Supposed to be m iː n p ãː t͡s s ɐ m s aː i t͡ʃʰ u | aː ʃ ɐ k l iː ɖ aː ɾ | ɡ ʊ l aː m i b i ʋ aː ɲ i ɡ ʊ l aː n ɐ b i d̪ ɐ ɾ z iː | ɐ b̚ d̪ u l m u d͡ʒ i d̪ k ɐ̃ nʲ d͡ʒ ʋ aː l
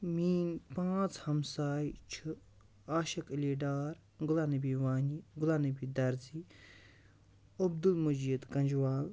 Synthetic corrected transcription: m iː n p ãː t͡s h ɐ m s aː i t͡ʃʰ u | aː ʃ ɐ k l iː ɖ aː ɾ | ɡ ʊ l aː n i b i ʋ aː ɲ i ɡ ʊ l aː n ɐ b i d̪ ɐ ɾ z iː | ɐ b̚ d̪ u l m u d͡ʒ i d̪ k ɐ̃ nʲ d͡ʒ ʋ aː l